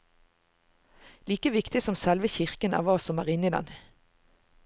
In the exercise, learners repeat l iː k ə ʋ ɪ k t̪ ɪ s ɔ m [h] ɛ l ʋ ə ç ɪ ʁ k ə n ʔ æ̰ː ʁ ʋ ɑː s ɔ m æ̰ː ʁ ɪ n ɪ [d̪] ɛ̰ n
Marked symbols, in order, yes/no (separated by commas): no, yes